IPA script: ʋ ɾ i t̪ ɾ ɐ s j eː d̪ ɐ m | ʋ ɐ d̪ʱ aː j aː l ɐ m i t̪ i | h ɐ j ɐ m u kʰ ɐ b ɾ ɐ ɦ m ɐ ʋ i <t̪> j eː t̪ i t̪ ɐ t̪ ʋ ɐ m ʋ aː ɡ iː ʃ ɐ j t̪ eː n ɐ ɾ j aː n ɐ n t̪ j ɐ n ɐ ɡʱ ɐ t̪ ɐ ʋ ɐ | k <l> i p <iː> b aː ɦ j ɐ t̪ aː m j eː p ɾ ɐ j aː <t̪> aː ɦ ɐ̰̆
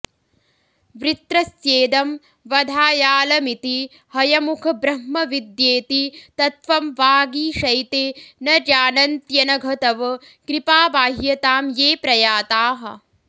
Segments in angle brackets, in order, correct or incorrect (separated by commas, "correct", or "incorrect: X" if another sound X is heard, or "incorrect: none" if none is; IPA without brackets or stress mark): incorrect: d̪, incorrect: ɾ, incorrect: aː, correct